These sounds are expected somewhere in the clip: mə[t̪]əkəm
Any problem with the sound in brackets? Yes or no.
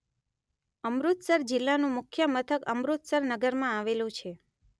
yes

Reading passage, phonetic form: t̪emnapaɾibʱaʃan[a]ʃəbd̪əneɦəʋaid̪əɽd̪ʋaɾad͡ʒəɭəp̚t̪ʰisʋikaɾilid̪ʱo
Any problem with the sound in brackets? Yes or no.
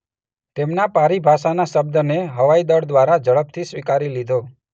no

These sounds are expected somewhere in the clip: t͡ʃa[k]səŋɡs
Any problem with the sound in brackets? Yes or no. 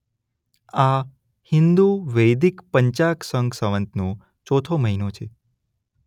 no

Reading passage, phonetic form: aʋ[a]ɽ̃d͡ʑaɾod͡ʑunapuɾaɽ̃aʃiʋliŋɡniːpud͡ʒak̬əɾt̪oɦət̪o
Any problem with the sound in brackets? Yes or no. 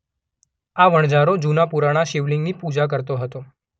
yes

